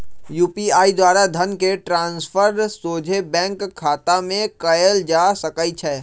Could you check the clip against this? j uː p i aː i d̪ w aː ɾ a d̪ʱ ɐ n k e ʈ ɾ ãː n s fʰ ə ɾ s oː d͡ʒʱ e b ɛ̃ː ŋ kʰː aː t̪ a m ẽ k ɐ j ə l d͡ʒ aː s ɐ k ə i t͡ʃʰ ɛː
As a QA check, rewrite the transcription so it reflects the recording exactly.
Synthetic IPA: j uː p i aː i d̪ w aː ɾ a d̪ʱ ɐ n k e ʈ ɾ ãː n s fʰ ə ɾ s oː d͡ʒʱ e b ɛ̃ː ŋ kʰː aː t̪ a m ẽ k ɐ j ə l d͡ʒ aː s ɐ k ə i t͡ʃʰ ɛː